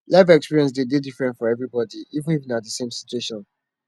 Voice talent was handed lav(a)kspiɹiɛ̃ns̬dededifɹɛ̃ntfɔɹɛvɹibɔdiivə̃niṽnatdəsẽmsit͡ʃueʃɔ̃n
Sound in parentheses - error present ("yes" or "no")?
yes